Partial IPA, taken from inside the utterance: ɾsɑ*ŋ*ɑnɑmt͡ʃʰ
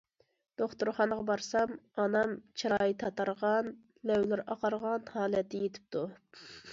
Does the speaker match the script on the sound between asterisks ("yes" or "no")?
no